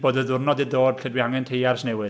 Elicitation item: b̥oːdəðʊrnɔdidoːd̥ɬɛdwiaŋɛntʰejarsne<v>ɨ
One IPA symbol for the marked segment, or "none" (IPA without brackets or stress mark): w